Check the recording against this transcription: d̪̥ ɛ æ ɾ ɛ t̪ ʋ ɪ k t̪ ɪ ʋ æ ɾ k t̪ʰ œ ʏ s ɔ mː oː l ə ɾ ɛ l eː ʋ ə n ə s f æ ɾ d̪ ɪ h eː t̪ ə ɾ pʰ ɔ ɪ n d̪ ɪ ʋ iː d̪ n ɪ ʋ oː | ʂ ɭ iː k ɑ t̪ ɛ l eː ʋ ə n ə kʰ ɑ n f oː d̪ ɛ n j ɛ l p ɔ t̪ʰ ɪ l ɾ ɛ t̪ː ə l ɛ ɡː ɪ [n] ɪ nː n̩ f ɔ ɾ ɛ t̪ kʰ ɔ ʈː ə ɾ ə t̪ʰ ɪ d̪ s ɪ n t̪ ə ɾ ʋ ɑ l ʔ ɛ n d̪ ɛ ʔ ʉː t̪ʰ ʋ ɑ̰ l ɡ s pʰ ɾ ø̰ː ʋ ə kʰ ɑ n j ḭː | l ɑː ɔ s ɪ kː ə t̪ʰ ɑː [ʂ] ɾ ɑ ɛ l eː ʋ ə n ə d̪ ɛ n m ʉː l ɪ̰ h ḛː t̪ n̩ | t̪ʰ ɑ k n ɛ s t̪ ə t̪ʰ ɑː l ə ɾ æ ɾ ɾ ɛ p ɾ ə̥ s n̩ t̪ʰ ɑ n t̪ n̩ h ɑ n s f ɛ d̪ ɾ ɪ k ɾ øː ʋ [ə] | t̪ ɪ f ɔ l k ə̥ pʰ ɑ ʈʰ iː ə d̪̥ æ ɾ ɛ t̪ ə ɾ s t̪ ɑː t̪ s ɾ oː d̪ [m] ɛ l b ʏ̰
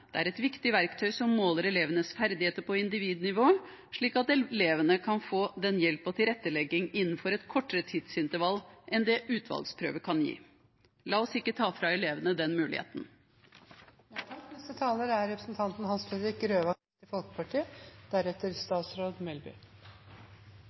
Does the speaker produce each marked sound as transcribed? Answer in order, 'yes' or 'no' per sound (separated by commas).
no, no, no, yes